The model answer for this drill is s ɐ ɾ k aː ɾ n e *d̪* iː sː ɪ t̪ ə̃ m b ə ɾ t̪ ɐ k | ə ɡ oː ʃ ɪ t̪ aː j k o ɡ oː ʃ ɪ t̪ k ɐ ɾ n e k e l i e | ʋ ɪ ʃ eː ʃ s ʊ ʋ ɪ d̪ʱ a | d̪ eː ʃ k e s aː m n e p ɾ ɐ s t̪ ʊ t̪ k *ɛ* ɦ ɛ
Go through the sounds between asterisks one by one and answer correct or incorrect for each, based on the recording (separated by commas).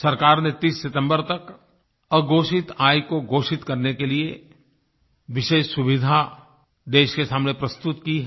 incorrect, incorrect